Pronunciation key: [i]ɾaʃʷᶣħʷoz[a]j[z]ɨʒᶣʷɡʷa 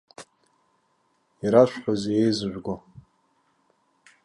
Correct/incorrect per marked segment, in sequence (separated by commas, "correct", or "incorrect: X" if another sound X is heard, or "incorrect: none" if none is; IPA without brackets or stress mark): correct, incorrect: e, correct